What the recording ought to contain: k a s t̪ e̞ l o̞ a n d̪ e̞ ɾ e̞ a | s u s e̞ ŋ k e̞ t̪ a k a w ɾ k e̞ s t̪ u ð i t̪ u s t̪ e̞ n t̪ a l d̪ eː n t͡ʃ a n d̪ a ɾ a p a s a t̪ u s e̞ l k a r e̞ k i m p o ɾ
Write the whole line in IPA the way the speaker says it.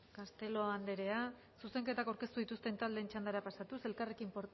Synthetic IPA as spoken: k a s t̪ e̞ l o̞ a n d̪ e̞ ɾ e̞ a | s u s e̞ ŋ k e̞ t̪ a k a w ɾ k e̞ s t̪ u ð i t̪ u s t̪ e̞ n t̪ a l d̪ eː n t͡ʃ a n d̪ a ɾ a p a s a t̪ u s e̞ l k a r e̞ k i m p o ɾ

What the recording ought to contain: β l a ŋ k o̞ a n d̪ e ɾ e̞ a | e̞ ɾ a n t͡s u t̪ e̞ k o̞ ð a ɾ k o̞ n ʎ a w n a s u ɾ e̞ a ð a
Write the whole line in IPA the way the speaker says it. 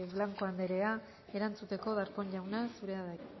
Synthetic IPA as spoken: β l a ŋ k o̞ a n d̪ e ɾ e̞ a | e̞ ɾ a n t͡s u t̪ e̞ k o̞ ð a ɾ k o̞ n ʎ a w n a s u ɾ e̞ a ð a

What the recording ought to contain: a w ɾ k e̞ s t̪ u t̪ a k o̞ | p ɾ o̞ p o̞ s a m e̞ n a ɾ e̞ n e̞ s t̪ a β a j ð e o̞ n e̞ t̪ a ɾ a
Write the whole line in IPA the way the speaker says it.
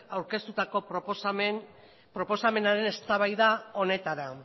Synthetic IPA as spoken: a w ɾ k e̞ s t̪ u t̪ a k o̞ | p ɾ o̞ p o̞ s a m e̞ n a ɾ e̞ n e̞ s t̪ a β a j ð a o̞ n e̞ t̪ a ɾ a

